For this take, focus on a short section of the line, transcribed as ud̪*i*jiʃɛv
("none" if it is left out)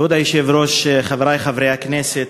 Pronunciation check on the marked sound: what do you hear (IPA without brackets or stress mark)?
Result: a